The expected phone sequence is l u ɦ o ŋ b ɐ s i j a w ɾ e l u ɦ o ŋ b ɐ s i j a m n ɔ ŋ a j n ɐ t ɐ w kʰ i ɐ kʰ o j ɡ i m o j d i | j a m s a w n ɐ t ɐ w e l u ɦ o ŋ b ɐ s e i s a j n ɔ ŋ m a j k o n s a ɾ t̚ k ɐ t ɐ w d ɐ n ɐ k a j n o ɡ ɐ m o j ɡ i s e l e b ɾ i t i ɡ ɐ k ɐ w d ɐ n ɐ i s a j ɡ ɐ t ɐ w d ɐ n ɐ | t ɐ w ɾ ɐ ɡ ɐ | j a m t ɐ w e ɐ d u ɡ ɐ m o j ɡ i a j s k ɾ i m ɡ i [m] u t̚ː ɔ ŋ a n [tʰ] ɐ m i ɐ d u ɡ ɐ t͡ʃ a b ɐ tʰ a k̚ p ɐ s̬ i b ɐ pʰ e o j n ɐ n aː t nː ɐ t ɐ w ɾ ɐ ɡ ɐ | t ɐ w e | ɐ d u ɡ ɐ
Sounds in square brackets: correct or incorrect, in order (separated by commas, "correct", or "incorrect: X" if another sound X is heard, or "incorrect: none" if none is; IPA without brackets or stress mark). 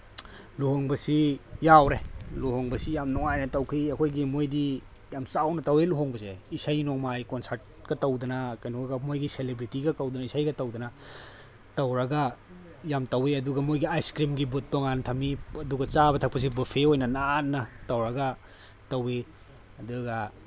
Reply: incorrect: b, correct